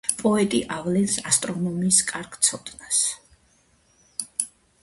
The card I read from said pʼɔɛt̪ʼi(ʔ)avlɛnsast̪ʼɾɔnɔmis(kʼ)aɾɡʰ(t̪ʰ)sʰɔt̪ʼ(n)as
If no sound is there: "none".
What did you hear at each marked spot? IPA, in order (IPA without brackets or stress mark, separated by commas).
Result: ʔ, kʼ, t̪, n